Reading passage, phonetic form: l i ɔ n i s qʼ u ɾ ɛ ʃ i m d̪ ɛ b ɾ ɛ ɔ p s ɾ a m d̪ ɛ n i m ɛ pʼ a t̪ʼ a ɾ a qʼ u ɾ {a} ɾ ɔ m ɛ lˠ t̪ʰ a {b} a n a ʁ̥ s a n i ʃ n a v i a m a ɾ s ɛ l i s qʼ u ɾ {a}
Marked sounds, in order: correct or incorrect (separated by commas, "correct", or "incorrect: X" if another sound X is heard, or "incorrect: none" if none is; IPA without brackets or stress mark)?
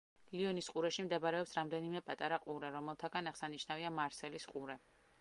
incorrect: ɛ, incorrect: ɡ, incorrect: ɛ